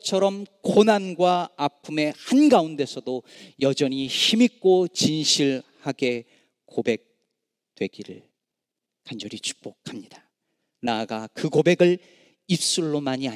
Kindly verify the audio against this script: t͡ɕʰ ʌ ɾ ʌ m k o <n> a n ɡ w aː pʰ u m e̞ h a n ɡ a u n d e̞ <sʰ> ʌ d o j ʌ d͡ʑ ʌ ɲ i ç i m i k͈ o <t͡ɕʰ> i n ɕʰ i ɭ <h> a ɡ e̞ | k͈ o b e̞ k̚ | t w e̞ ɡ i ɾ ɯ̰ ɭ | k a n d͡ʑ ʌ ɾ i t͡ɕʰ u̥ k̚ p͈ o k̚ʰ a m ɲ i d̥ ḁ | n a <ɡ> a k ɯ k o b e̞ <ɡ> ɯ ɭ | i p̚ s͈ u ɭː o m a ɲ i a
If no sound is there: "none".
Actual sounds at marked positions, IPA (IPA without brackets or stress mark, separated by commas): n, sʰ, t͡ɕ, h, ɡ, ɡ